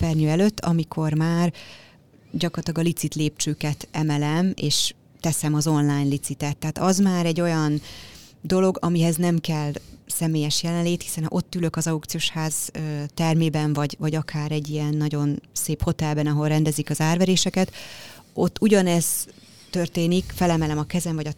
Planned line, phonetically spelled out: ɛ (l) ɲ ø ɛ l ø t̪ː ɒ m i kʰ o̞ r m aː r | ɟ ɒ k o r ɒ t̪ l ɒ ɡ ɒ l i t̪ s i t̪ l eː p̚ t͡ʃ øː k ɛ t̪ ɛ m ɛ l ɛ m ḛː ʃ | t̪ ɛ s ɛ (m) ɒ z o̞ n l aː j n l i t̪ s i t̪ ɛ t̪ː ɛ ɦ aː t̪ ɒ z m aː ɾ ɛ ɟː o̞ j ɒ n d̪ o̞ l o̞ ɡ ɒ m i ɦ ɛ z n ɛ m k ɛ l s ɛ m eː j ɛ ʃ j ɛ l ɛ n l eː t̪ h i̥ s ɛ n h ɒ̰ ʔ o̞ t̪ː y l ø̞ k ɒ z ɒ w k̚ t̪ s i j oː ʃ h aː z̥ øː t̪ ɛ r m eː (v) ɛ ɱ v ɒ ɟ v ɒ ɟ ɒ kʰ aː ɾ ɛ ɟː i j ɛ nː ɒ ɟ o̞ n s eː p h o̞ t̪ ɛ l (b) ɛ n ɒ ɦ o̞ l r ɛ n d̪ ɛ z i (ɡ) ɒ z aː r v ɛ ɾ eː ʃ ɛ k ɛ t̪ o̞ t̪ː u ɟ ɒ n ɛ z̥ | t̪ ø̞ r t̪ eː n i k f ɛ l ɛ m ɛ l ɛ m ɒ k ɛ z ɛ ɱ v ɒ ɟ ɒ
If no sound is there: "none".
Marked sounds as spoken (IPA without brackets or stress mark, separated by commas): r, m, b, b, k